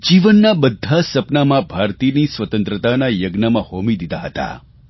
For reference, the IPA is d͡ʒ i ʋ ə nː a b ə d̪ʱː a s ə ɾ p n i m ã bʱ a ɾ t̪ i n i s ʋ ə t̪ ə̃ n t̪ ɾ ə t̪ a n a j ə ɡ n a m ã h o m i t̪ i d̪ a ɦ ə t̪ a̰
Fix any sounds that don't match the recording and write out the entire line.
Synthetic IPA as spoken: d͡ʒ i ʋ ə nː a b ə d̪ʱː a s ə p n a m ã bʱ a ɾ t̪ i n i s ʋ ə t̪ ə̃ n t̪ ɾ ə t̪ a n a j ə ɡ n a m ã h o m i d̪ i d̪ a ɦ ə t̪ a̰